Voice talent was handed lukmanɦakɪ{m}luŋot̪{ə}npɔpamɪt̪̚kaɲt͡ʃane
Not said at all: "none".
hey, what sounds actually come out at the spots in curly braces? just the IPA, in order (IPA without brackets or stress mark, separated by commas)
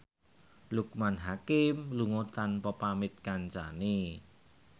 m, a